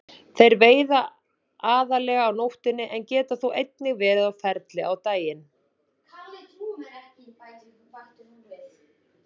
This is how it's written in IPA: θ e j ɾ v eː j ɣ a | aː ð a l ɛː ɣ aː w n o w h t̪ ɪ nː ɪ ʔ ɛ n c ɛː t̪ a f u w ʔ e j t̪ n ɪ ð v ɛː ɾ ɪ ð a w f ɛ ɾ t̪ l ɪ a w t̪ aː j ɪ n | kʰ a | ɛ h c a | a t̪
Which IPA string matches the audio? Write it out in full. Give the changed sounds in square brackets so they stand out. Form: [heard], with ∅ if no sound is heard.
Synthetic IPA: θ e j ɾ v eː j [ð] a | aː ð a l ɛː ɣ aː w n o w h t̪ ɪ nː ɪ ʔ ɛ n c ɛː t̪ a [θ] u w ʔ e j t̪ n ɪ [ɣ] v ɛː ɾ ɪ ð a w f ɛ ɾ t̪ l ɪ a w t̪ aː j ɪ n | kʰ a | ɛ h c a | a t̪